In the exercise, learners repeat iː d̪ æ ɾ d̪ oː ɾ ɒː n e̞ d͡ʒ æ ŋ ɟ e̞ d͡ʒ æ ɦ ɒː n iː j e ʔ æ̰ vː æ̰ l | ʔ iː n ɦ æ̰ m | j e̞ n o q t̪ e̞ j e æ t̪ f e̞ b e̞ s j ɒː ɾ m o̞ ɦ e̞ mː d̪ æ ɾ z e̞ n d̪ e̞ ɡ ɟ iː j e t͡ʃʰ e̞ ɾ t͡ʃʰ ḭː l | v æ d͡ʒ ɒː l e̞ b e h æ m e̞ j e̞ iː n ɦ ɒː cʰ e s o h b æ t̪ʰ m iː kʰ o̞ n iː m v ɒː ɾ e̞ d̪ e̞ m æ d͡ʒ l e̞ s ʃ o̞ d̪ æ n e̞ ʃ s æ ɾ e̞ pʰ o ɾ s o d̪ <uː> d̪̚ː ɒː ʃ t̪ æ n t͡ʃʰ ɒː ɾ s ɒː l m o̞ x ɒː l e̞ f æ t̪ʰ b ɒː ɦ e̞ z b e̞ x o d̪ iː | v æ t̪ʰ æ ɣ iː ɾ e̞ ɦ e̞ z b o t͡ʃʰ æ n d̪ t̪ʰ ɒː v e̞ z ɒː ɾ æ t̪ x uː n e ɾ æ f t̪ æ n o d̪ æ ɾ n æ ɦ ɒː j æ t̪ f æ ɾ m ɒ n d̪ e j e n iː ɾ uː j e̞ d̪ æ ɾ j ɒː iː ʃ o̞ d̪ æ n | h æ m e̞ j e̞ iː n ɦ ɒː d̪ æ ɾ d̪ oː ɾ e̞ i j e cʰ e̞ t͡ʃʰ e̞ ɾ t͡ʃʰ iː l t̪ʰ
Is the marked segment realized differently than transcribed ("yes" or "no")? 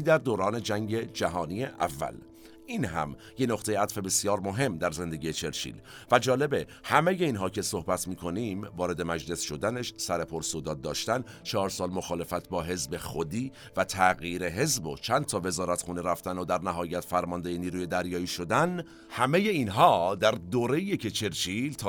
yes